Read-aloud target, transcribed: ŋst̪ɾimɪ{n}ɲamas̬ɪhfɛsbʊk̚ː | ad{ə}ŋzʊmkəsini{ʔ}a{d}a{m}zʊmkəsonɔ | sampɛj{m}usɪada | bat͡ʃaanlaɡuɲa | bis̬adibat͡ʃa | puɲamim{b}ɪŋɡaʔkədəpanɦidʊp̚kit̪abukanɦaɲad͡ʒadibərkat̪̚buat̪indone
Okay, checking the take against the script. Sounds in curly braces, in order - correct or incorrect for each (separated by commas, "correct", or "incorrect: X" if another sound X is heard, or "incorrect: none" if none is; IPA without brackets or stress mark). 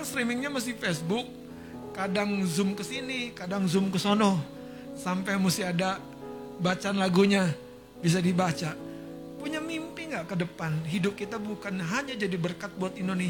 incorrect: ŋ, incorrect: a, incorrect: k, correct, incorrect: ŋ, correct, incorrect: p